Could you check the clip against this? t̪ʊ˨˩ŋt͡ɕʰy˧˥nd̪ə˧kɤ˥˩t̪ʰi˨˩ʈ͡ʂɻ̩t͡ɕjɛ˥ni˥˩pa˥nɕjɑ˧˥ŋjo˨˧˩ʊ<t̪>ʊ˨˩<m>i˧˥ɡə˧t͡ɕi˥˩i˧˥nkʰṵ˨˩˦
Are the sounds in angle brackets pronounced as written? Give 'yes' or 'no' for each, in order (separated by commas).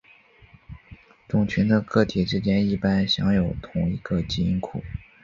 no, no